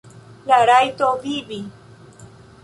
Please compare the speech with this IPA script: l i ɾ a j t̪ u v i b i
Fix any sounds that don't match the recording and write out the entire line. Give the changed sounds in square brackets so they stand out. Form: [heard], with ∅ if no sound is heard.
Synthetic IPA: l [a] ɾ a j t̪ [o] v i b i